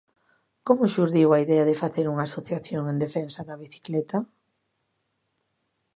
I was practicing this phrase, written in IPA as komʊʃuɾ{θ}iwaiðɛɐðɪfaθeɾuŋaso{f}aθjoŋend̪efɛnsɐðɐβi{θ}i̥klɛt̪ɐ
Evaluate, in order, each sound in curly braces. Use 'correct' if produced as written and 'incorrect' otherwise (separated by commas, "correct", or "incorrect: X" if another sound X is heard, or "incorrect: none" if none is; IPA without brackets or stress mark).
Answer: incorrect: ð, incorrect: θ, correct